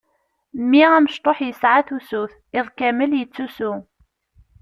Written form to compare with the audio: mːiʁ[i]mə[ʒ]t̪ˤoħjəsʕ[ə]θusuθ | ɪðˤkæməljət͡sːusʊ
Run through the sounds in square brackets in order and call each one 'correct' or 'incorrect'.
incorrect, incorrect, incorrect

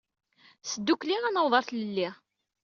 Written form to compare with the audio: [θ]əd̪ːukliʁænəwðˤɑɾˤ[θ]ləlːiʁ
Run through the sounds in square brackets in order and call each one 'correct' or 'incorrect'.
incorrect, correct

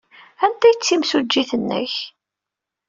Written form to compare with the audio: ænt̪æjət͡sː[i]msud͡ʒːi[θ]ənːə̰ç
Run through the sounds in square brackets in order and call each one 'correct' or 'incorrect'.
correct, correct

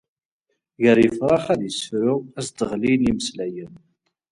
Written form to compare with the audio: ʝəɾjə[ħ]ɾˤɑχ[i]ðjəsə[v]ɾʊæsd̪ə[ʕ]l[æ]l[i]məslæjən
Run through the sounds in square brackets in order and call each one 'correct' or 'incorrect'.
incorrect, incorrect, incorrect, incorrect, incorrect, correct

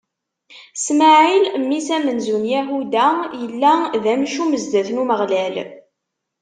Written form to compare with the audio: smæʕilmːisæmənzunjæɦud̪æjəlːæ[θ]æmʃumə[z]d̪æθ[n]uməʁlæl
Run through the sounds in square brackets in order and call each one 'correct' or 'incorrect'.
incorrect, correct, correct

